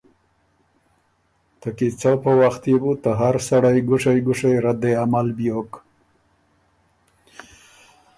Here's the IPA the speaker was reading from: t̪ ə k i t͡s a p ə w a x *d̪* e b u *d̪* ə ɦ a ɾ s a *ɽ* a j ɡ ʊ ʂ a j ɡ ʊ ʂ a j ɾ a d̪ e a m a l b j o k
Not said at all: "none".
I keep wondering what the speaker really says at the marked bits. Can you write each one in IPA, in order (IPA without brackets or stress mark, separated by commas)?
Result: t̪, t̪, ɽ